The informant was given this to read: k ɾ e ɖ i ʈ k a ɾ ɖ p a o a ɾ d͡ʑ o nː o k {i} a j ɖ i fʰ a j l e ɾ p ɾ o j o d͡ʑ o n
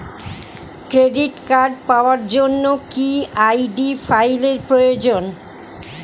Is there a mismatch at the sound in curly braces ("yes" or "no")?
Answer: no